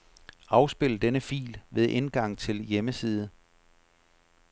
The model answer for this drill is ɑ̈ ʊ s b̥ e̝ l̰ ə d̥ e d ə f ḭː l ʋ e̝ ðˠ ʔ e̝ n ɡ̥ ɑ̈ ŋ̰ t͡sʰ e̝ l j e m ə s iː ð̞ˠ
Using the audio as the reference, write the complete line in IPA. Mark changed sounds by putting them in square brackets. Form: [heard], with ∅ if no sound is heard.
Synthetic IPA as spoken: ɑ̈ ʊ s b̥ e̝ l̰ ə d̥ e [n] ə f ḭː l ʋ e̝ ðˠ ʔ e̝ n ɡ̥ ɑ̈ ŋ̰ t͡sʰ e̝ l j e m ə s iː ð̞ˠ